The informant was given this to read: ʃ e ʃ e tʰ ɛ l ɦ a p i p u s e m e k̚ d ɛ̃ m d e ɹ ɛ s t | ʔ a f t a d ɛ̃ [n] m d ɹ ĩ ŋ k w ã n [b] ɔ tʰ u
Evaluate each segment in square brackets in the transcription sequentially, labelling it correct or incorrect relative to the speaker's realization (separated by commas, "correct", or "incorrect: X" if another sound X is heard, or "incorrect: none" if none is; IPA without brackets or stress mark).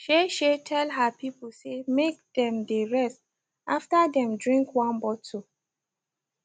incorrect: none, correct